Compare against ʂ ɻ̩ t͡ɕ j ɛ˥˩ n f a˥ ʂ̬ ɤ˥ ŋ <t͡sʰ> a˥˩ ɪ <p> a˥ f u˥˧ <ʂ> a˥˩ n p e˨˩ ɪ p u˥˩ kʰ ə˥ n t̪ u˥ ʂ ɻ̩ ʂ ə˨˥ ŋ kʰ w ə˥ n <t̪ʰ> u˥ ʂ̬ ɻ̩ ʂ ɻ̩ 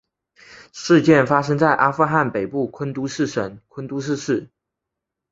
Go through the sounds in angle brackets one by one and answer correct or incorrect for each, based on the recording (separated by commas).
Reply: incorrect, incorrect, incorrect, incorrect